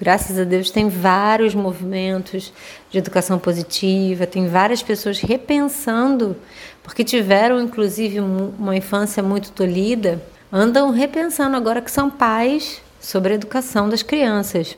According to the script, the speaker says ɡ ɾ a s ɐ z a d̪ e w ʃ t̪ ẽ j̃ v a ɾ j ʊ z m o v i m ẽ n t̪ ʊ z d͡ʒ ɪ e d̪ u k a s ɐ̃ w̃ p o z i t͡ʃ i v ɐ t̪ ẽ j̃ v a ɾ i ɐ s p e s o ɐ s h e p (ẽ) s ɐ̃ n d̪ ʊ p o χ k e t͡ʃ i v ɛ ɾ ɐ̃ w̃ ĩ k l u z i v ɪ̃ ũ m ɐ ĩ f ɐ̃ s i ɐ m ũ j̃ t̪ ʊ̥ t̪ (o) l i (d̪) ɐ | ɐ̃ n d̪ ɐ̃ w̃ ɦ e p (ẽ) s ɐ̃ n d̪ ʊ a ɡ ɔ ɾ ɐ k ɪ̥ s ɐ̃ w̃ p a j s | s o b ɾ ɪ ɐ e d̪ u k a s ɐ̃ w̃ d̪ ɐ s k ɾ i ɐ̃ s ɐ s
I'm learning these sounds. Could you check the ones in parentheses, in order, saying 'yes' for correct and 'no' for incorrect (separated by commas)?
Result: yes, yes, yes, yes